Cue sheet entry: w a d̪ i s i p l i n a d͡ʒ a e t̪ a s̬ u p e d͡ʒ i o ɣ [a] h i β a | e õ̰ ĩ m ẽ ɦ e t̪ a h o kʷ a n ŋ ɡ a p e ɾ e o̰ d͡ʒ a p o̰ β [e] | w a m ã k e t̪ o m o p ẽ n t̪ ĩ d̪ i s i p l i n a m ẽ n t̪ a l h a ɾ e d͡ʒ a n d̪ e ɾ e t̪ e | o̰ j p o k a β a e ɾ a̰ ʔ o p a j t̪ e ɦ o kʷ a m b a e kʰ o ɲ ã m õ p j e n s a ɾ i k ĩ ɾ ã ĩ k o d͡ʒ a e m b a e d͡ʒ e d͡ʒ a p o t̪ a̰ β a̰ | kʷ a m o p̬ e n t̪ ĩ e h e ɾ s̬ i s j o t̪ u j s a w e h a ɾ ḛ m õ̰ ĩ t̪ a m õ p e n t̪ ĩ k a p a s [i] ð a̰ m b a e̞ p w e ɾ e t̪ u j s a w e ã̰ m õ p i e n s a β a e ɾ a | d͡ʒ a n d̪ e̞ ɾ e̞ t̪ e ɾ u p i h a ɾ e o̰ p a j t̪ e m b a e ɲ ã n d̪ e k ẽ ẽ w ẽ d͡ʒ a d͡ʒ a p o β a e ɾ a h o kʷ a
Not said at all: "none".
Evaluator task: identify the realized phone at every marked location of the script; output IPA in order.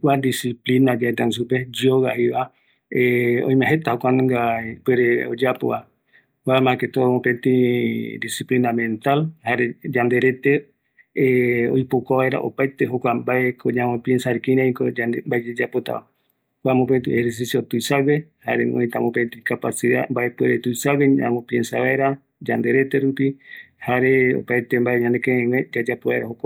a, a, i

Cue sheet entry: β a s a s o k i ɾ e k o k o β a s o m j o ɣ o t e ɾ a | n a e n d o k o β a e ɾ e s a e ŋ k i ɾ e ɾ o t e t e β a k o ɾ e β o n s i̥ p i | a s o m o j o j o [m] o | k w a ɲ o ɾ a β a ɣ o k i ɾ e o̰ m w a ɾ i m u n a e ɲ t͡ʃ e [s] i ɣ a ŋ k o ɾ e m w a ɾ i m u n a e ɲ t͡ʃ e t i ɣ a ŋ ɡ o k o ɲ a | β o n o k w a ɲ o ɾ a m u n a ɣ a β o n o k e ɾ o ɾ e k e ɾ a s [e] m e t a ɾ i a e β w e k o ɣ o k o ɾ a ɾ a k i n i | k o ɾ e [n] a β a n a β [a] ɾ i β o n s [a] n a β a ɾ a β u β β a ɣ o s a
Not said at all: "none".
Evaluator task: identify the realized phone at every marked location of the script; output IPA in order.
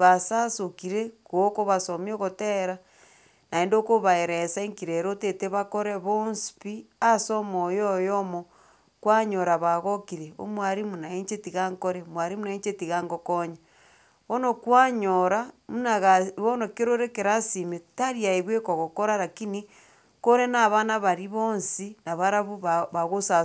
m, t, i, n, a, i

